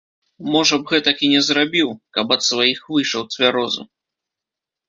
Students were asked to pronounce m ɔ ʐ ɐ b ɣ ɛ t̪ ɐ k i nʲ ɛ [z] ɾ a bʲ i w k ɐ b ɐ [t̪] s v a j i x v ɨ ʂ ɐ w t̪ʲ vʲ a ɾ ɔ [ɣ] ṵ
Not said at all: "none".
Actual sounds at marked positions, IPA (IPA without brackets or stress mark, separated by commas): z, t̪, z